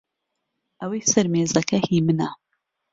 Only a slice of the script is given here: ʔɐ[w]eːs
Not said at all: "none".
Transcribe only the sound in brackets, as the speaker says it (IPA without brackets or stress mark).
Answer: w